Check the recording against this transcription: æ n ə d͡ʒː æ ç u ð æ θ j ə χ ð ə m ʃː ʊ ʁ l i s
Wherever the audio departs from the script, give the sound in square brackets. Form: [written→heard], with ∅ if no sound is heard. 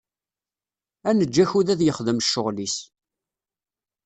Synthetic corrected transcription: æ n ə d͡ʒː æ ç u ð æ [θ→ð] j ə χ ð ə m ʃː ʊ ʁ l i s